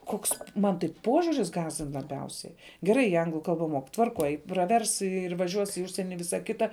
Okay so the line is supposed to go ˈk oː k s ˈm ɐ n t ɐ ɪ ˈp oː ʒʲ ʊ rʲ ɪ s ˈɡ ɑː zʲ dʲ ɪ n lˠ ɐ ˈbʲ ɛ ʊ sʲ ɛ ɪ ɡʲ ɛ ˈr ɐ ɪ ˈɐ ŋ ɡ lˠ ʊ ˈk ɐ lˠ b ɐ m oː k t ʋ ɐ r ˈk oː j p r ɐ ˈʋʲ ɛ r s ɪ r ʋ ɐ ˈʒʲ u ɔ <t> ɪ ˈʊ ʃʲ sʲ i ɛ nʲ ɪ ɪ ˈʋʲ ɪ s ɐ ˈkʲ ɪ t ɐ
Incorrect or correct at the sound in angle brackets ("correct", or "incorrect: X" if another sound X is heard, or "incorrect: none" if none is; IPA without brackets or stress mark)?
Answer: incorrect: s